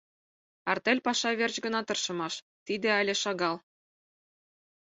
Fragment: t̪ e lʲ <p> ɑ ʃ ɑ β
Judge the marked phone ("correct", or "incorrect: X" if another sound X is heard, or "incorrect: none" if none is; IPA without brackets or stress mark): correct